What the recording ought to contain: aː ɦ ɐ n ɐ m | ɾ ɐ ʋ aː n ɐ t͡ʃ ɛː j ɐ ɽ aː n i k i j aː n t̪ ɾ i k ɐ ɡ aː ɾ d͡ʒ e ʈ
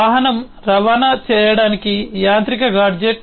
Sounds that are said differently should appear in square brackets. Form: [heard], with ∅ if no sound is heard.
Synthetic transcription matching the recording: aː ɦ ɐ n ɐ m | ɾ ɐ ʋ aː n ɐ t͡ʃ ɛː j ɐ ɽ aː n i k i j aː n t̪ ɾ i k ɐ ɡ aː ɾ d͡ʒ e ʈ